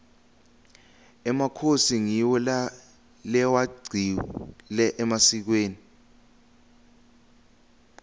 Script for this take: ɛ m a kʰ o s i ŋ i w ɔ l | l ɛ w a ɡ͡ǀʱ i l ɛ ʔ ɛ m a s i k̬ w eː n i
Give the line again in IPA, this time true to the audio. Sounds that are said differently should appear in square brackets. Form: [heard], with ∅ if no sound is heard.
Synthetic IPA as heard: ɛ m a kʰ o s i ŋ i w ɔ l | l ɛ w a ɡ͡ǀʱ i l ɛ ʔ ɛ m a s i k̬ w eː n i